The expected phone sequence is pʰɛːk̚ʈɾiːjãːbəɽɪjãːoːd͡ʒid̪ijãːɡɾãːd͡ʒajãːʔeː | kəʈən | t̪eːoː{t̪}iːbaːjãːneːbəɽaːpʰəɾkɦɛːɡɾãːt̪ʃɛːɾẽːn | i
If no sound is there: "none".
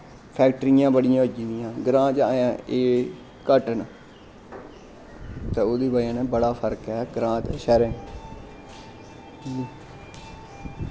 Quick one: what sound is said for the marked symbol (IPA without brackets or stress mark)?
d̪